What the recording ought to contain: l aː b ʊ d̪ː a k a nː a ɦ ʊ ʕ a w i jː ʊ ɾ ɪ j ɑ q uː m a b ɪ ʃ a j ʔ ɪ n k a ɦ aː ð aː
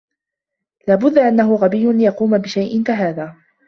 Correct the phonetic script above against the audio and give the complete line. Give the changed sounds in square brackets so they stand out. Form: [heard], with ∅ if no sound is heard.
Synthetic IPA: l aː b ʊ d̪ː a [ʔ] a nː a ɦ ʊ [ɣ] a [b] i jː ʊ [l] ɪ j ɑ q uː m a b ɪ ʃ a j ʔ ɪ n k a ɦ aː ð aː